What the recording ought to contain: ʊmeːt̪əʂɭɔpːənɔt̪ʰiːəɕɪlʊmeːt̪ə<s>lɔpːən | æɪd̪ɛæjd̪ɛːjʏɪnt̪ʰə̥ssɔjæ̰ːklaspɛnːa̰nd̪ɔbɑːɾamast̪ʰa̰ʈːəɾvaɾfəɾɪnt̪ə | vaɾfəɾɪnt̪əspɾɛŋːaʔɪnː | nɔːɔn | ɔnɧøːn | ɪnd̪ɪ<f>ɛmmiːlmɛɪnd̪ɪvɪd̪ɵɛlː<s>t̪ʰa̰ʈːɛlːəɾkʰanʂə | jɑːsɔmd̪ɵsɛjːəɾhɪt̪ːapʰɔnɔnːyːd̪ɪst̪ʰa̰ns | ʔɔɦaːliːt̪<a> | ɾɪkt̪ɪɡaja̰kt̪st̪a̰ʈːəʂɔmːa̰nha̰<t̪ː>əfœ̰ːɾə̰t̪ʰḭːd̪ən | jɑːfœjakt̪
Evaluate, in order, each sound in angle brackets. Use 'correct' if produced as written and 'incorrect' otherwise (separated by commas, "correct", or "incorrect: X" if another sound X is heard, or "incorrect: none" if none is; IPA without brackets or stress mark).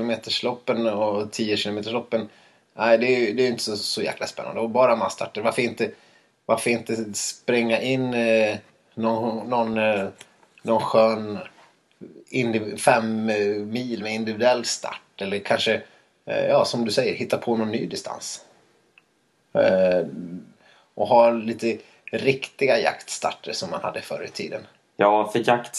incorrect: ʂ, correct, correct, incorrect: ə, incorrect: d̪ː